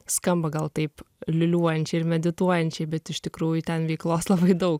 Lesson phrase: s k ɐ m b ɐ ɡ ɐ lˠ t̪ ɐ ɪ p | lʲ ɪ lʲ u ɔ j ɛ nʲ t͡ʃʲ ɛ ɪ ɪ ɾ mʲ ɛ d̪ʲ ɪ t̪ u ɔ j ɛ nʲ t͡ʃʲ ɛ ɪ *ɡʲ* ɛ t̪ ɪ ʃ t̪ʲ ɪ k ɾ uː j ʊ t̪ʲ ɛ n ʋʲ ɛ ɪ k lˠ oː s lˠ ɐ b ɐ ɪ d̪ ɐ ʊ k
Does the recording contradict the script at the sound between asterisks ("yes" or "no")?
yes